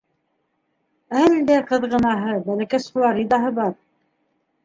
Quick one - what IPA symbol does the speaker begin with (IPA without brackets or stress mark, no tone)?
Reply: æ